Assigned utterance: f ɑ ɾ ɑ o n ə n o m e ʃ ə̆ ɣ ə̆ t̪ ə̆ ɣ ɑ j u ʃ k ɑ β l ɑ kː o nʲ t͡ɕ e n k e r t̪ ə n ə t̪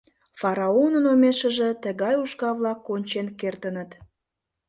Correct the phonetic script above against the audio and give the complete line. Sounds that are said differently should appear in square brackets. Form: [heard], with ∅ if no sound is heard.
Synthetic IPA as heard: f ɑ ɾ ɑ o n ə n o m e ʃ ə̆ [ʒ] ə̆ t̪ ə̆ ɣ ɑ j u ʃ k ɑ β l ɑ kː o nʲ t͡ɕ e n k e r t̪ ə n ə t̪